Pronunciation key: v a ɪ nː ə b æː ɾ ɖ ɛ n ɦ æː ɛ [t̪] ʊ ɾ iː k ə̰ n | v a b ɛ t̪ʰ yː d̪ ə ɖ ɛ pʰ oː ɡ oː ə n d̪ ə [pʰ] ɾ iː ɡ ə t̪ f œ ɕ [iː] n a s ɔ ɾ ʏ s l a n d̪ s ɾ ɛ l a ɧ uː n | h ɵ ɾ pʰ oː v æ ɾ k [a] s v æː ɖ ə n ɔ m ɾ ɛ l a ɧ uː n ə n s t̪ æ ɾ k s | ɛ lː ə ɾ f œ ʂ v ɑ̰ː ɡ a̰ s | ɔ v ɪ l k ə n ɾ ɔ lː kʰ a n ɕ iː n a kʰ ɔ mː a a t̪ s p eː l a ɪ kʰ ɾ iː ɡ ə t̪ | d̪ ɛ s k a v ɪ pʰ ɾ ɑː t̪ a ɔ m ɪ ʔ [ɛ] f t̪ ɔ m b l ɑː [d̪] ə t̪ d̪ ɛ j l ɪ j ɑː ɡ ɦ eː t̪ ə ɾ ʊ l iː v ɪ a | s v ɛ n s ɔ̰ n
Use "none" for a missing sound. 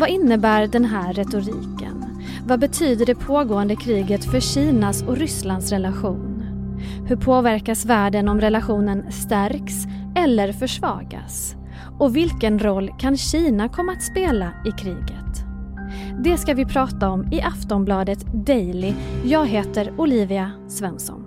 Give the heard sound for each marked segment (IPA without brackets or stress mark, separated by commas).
t̪, kʰ, iː, a, a, d̪